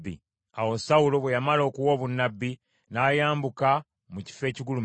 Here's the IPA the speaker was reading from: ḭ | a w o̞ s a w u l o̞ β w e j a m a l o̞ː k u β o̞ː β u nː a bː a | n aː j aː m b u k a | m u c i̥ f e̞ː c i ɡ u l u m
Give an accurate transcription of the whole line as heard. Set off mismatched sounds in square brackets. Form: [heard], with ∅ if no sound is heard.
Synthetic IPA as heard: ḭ | a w o̞ s a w u l o̞ β w e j a m a l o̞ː k u [w] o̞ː β u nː a bː [i] | n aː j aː m b u k a | m u c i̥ f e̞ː c i ɡ u l u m